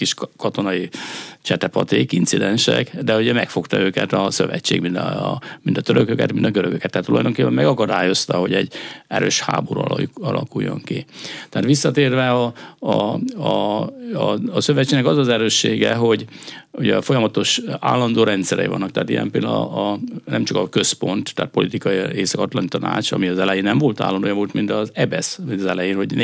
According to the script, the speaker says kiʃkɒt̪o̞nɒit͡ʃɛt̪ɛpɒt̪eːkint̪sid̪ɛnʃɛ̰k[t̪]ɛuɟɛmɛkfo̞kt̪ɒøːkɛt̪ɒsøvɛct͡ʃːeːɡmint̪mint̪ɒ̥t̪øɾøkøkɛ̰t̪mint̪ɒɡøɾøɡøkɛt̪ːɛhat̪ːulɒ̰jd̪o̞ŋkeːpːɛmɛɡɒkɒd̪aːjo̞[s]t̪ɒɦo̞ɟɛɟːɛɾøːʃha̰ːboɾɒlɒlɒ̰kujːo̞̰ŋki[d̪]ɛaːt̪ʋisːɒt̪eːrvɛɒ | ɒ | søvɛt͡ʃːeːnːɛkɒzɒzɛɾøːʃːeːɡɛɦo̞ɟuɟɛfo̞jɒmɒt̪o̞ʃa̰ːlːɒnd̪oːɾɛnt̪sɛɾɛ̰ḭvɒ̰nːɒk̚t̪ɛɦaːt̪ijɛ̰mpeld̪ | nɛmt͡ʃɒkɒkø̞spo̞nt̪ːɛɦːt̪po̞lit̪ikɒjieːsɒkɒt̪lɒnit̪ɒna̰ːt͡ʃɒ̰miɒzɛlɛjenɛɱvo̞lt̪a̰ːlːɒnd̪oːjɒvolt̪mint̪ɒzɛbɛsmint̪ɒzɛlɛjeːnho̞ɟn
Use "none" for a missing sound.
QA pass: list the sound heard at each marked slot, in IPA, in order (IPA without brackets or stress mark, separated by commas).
d̪, s, t̪